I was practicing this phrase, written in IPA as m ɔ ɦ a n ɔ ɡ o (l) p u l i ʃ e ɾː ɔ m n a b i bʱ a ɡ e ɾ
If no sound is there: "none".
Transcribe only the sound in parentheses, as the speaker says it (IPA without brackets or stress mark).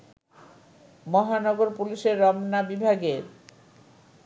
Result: ɾ